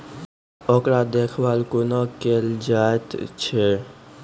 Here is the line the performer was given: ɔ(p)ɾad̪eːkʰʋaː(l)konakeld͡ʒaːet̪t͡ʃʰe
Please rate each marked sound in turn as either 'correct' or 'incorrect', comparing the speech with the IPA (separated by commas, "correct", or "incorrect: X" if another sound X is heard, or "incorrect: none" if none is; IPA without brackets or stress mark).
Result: incorrect: k, correct